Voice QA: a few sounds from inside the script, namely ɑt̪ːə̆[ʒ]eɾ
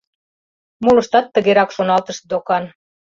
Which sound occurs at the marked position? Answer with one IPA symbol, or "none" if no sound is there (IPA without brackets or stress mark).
ɣ